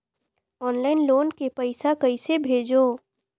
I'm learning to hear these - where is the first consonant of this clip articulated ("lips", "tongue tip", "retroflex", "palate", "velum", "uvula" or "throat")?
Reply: tongue tip